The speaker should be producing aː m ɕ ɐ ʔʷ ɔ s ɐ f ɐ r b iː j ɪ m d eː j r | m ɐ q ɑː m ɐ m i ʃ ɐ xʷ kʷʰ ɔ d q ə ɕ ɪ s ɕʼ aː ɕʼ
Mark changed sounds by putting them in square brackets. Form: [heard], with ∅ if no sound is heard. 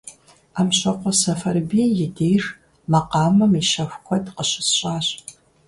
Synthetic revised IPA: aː m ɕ ɐ [qʷ] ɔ s ɐ f ɐ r b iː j ɪ [∅] d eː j r | m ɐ q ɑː m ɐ m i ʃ ɐ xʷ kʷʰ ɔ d q ə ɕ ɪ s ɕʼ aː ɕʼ

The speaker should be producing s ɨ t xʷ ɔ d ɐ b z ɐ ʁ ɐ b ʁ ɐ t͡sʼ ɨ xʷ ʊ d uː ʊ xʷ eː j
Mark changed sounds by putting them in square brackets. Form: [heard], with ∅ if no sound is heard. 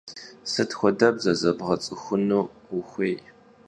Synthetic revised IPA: s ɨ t xʷ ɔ d ɐ b z ɐ [z] ɐ b ʁ ɐ t͡sʼ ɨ xʷ ʊ [n] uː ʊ xʷ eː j

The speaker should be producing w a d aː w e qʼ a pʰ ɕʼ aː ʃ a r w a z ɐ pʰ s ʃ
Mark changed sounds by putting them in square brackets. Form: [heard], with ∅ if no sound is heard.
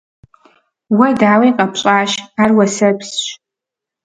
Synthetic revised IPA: w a d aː w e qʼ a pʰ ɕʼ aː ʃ a r w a [s] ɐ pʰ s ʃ

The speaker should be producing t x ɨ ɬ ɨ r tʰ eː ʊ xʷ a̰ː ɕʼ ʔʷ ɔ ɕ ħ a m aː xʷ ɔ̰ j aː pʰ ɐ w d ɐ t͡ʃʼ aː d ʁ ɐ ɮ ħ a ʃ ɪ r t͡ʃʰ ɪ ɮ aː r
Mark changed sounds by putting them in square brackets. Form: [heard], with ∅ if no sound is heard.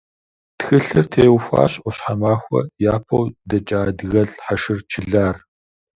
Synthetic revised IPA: t x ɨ ɬ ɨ r tʰ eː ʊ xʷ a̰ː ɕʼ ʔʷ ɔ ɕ ħ a m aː xʷ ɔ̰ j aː pʰ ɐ w d ɐ t͡ʃʼ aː d [ɣ] ɐ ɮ ħ a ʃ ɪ r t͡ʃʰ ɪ ɮ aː r

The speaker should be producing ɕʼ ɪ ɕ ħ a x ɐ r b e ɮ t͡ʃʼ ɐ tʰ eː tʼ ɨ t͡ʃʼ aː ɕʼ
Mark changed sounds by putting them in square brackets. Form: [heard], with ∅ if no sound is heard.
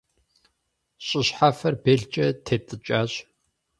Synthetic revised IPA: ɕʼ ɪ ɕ ħ a [f] ɐ r b e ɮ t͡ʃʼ ɐ tʰ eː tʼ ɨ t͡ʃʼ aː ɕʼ

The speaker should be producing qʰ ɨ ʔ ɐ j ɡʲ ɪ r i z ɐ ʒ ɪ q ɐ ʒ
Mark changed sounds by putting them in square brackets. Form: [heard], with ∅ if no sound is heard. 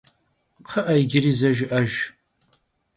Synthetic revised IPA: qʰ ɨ ʔ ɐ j ɡʲ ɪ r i z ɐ ʒ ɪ [ʔ] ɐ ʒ

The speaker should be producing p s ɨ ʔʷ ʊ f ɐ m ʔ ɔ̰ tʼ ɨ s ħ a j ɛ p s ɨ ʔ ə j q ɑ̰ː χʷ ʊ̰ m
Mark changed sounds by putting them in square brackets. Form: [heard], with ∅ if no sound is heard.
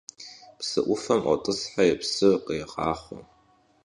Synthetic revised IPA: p s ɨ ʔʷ ʊ f ɐ m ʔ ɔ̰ tʼ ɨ s ħ a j ɛ p s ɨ [q] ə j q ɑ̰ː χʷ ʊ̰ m

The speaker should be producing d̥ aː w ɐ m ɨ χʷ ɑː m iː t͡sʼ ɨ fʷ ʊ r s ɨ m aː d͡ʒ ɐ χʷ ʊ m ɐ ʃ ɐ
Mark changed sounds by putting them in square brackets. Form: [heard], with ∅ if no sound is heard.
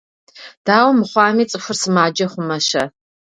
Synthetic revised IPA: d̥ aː w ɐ m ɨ χʷ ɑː m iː t͡sʼ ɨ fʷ ʊ r s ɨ m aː d͡ʒ ɐ χʷ ʊ m ɐ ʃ ɐ

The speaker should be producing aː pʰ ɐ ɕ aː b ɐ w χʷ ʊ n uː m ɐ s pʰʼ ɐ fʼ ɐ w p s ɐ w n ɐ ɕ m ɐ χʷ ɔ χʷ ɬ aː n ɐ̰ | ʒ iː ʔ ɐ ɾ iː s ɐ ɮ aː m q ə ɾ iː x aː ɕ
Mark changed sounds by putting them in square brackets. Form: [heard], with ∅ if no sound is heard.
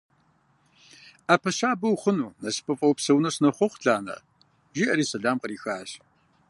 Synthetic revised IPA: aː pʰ ɐ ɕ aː b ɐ w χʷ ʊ n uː [n] ɐ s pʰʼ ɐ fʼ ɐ w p s ɐ w n ɐ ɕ [n] ɐ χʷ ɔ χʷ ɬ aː n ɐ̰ | ʒ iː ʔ ɐ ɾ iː s ɐ ɮ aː m q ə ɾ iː x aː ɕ

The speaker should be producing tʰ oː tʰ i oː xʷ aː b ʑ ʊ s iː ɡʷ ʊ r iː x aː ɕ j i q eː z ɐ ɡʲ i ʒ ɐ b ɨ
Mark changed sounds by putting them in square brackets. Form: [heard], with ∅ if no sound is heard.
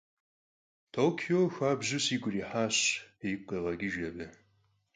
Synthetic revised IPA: tʰ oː [kʰ] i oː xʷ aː b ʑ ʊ s iː ɡʷ ʊ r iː [ħ] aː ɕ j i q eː [ʁ] ɐ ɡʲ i ʒ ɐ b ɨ

